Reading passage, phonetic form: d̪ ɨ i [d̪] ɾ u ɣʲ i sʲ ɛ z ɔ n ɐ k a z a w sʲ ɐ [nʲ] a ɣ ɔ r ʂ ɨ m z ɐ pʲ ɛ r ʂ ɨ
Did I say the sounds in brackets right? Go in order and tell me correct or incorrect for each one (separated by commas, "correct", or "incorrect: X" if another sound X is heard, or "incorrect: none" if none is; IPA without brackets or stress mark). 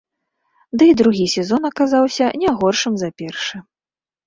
correct, correct